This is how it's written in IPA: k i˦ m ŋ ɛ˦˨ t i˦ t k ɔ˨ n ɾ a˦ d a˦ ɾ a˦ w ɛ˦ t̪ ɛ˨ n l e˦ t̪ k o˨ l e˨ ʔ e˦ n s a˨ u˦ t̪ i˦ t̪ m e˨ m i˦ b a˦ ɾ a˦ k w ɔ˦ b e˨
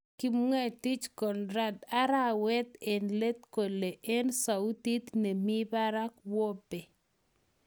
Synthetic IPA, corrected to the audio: k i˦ m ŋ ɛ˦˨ t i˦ t͡ʃ k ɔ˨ n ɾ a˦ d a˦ ɾ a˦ w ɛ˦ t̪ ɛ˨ n l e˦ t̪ k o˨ l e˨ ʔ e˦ n s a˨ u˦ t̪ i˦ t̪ n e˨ m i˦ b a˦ ɾ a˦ k w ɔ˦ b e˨